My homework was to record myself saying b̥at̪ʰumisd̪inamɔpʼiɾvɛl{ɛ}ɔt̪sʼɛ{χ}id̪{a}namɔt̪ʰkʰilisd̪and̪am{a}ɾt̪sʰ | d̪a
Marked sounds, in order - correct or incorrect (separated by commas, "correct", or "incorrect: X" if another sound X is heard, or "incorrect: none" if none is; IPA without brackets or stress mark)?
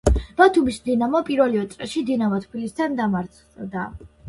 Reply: incorrect: i, incorrect: ʃ, incorrect: i, correct